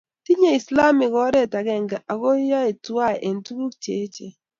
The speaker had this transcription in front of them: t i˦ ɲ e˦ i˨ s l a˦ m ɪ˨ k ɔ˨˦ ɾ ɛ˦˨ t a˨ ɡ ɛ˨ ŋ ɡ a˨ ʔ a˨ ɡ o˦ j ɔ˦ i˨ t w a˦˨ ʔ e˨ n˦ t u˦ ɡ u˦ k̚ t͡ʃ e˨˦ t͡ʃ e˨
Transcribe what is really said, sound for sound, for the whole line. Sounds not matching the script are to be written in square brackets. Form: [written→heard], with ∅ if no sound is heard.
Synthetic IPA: t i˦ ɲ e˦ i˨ s l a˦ m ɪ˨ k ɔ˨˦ ɾ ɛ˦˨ t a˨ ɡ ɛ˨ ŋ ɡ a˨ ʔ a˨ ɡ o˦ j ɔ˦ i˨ t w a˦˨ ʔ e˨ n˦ t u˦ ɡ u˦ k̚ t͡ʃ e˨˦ t͡ʃ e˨

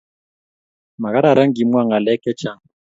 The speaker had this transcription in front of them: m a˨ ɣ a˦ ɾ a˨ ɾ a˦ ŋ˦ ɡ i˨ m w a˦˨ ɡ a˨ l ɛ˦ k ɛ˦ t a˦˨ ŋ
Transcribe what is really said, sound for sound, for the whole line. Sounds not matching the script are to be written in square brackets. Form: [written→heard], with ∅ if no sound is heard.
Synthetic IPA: m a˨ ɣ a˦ ɾ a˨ ɾ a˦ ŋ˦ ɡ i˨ m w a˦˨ [ɡ→ŋ] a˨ l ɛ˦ k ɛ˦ [t→t͡ʃ] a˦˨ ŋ

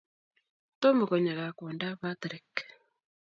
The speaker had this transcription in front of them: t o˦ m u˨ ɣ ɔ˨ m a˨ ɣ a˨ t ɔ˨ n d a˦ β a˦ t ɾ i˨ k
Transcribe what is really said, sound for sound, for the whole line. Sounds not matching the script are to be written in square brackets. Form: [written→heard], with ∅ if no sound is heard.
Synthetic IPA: t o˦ m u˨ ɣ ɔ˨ [m→ɲ] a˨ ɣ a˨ [t→k] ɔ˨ n d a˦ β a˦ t ɾ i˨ k

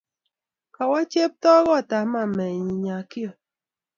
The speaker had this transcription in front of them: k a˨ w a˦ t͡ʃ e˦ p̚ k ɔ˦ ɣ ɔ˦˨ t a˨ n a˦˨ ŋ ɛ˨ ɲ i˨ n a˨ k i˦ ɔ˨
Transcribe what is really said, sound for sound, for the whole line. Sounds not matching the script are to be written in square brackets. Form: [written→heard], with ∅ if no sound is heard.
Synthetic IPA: k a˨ w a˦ t͡ʃ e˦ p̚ [k→t] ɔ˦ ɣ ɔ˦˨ t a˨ [n→m] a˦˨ [ŋ→m] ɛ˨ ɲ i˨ [n→ɲ] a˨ k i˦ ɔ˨

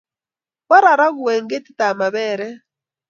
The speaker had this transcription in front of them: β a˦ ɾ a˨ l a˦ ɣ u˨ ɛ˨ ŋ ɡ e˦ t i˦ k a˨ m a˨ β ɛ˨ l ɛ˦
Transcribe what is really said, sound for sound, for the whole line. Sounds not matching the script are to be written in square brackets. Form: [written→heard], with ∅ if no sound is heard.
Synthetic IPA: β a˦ ɾ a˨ [l→ɾ] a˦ ɣ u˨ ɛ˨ ŋ ɡ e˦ t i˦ [k→t] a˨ m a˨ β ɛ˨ [l→ɾ] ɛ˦

